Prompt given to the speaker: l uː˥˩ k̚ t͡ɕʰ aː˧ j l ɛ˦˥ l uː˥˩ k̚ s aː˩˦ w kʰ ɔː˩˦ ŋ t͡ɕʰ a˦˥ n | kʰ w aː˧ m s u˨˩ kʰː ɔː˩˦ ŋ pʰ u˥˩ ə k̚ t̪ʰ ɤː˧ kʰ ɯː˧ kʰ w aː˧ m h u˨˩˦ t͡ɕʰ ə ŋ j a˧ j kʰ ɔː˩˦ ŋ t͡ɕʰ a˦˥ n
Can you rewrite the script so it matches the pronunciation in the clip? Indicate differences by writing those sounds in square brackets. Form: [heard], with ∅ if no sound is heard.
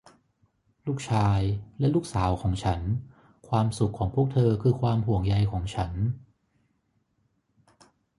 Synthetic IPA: l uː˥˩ k̚ t͡ɕʰ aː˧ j l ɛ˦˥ l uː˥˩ k̚ s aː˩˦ w kʰ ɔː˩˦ ŋ t͡ɕʰ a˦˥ n | kʰ w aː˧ m s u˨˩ kʰː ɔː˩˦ ŋ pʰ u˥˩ ə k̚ t̪ʰ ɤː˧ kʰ ɯː˧ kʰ w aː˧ m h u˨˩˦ [∅] ə ŋ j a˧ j kʰ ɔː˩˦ ŋ t͡ɕʰ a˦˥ n